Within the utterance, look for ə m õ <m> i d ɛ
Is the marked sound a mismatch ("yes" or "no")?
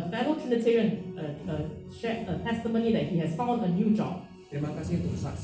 yes